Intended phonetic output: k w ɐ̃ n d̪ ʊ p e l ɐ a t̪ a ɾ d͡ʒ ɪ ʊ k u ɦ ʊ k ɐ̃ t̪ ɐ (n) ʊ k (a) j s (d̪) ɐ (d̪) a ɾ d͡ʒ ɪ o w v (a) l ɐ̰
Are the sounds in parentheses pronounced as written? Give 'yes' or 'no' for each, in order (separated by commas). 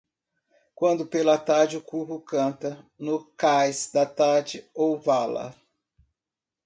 yes, yes, yes, no, yes